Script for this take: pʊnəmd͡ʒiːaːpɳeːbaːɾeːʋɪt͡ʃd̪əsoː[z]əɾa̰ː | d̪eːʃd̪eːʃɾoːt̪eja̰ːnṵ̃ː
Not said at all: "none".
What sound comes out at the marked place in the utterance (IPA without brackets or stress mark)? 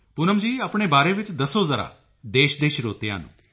z